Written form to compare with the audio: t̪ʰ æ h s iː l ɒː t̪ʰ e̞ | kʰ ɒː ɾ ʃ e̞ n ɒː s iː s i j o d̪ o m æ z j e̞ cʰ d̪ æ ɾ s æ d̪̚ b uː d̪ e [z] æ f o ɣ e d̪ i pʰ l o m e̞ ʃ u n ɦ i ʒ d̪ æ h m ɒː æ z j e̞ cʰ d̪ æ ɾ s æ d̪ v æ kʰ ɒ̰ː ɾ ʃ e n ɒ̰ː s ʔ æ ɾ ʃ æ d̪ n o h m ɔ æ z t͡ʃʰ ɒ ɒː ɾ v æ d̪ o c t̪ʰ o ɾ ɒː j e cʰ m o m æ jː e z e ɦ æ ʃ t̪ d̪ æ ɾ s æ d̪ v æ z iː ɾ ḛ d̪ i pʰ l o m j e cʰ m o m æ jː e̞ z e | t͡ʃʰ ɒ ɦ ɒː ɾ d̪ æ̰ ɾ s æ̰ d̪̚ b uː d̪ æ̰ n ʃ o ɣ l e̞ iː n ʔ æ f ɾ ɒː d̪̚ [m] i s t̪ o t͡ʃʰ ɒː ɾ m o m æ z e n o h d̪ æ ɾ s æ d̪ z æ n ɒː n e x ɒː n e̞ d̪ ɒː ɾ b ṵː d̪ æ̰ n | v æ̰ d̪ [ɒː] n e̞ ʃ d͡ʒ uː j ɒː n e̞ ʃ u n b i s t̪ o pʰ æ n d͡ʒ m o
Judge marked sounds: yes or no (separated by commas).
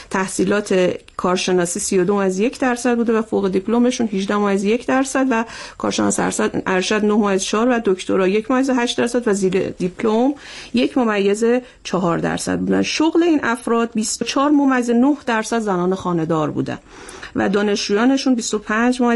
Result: no, no, yes